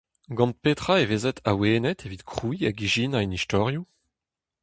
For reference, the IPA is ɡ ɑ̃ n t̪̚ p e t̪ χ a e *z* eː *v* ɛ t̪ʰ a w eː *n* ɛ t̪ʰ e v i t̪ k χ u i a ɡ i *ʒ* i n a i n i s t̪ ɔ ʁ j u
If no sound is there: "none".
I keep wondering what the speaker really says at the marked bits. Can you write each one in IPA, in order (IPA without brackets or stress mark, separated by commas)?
v, z, n, ʒ